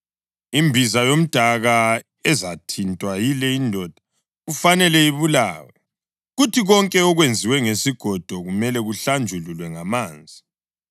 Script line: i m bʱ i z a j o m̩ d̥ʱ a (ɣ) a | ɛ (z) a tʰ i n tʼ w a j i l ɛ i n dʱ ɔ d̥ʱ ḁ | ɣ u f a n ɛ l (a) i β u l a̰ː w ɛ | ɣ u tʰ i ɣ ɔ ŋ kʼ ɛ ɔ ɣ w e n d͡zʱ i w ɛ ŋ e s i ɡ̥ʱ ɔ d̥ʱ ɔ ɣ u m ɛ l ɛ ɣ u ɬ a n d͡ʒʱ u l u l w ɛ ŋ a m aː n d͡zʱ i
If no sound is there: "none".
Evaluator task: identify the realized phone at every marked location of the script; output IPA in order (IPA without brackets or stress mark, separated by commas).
ɣ, z, ɛ